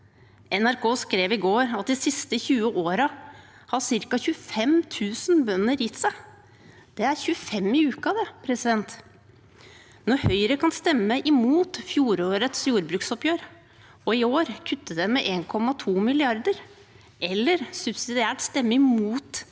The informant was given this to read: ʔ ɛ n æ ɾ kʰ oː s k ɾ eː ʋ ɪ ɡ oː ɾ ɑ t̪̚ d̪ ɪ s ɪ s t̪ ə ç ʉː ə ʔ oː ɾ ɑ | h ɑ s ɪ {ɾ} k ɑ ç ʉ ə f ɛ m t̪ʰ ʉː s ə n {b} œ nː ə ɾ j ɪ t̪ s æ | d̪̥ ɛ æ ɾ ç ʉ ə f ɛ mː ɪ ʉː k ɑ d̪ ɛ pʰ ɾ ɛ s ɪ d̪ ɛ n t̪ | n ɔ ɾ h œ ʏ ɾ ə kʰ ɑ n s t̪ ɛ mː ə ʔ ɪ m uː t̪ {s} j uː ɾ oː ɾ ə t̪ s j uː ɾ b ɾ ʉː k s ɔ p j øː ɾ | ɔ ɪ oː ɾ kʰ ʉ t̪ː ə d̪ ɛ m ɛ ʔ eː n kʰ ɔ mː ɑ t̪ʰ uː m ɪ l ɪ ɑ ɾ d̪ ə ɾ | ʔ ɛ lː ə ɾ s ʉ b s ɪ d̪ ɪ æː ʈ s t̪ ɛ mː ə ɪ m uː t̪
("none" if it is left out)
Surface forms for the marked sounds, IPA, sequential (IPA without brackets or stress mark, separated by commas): ɾ, b, f